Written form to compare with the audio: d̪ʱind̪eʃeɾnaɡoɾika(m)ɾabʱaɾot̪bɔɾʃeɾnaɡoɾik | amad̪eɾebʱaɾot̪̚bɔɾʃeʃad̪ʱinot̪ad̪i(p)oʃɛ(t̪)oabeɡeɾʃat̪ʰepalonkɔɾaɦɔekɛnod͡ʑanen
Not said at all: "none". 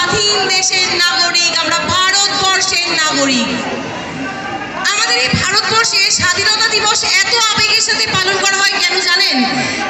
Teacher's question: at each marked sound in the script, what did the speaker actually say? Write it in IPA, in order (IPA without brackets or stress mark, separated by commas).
m, b, t̪